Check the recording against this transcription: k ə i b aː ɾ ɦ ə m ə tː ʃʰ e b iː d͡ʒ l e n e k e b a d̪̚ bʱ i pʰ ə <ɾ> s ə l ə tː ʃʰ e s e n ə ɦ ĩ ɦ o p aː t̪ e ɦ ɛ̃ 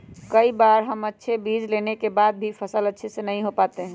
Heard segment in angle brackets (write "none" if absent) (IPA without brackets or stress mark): none